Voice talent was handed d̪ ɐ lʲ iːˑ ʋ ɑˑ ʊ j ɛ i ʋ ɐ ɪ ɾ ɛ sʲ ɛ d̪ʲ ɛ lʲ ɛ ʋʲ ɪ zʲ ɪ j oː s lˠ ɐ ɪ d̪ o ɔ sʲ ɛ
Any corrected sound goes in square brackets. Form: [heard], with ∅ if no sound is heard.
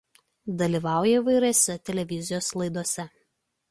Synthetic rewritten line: d̪ ɐ lʲ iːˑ ʋ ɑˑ ʊ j ɛ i ʋ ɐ ɪ ɾ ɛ sʲ ɛ [t̪ʲ] ɛ lʲ ɛ ʋʲ ɪ zʲ ɪ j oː s lˠ ɐ ɪ d̪ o ɔ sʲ ɛ